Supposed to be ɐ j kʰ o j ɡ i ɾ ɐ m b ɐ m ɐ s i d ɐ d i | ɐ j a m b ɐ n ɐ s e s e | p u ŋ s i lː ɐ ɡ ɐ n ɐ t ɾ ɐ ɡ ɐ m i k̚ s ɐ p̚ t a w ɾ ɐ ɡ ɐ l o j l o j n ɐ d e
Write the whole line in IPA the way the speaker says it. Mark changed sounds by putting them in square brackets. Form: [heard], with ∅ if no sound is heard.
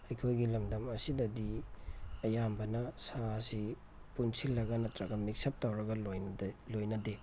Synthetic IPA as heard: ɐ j kʰ o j ɡ i [l] ɐ m [d] ɐ m ɐ s i d ɐ d i | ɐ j a m b ɐ n ɐ s [a] s [i] | p u [n] s i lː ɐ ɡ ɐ n ɐ t ɾ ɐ ɡ ɐ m i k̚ s ɐ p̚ t a w ɾ ɐ ɡ ɐ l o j l o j n ɐ d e